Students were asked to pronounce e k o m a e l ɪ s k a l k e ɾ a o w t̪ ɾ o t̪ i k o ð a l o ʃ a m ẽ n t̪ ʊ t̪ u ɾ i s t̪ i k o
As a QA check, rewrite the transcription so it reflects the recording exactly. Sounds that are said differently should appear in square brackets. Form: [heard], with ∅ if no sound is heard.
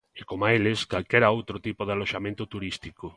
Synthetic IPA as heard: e k o m a e l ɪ s k a l k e ɾ a o w t̪ ɾ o t̪ i [p] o ð a l o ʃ a m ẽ n t̪ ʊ t̪ u ɾ i s t̪ i k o